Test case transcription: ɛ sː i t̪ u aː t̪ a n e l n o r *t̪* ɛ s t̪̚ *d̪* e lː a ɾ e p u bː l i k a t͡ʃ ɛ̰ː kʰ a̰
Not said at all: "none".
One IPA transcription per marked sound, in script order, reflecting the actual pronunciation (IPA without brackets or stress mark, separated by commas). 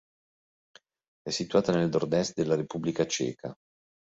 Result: d̪, d̪